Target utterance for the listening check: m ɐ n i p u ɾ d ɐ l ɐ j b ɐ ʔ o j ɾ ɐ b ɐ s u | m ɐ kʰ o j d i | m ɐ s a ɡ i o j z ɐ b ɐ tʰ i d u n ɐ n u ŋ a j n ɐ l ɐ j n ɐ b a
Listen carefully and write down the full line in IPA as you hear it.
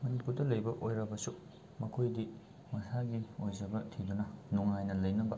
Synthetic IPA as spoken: m ɐ n i p u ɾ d ɐ l ɐ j b ɐ ʔ o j ɾ ɐ b ɐ s u | m ɐ kʰ o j d i | m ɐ s a ɡ i o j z ɐ b ɐ tʰ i d u n ɐ n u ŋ a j n ɐ l ɐ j n ɐ b ɐ